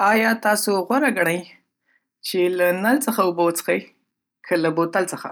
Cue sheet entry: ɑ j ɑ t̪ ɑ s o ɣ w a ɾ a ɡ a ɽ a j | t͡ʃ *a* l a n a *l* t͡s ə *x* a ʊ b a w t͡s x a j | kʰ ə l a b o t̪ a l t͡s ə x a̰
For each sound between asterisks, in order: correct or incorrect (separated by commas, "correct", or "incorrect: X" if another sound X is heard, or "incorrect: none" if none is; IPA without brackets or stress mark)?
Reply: incorrect: e, correct, correct